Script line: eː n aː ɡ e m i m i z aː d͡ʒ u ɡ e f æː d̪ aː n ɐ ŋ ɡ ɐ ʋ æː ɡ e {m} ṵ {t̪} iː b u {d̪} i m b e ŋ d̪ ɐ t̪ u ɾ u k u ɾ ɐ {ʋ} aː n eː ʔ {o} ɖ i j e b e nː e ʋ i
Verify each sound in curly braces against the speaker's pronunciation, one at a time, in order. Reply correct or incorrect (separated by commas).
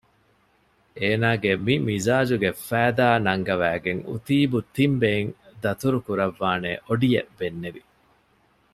incorrect, correct, incorrect, incorrect, correct